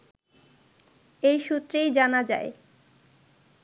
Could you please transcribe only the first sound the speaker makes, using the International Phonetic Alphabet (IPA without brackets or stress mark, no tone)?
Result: e